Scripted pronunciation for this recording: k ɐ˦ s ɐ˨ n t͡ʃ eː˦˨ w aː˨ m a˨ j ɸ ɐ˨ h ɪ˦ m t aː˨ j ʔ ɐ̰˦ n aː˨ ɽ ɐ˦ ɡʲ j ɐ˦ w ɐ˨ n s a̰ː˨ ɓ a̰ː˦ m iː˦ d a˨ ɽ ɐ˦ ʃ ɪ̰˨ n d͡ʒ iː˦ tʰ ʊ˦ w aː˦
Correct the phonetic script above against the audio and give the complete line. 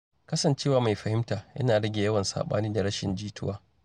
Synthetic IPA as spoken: k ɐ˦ s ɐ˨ n t͡ʃ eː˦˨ w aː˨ m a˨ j ɸ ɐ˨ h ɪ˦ m t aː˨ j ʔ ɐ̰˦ n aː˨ ɽ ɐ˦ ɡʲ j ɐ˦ w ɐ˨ n s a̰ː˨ ɓ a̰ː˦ n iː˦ d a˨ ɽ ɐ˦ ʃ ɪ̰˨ n d͡ʒ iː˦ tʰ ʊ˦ w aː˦